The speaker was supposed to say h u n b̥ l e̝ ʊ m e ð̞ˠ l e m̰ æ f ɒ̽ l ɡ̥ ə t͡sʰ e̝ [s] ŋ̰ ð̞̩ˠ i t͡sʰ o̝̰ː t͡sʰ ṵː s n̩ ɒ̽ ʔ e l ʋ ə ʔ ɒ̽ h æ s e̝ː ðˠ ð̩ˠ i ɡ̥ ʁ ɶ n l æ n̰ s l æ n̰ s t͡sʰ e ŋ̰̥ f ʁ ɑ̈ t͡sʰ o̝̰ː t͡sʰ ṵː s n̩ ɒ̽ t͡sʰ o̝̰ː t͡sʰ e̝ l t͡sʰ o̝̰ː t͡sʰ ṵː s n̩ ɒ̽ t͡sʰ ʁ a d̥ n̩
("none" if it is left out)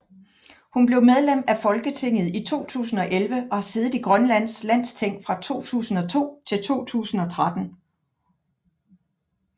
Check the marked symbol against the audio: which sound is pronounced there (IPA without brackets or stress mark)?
none